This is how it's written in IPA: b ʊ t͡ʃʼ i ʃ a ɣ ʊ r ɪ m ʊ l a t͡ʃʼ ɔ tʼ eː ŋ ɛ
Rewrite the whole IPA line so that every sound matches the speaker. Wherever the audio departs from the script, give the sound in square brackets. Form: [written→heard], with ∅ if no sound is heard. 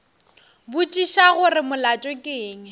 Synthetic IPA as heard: b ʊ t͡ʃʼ i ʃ a ɣ ʊ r ɪ m ʊ l a t͡ʃʼ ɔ [tʼ→kʼ] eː ŋ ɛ